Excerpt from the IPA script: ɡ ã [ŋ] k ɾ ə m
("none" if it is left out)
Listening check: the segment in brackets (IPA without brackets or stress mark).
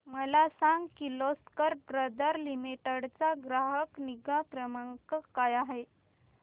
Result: none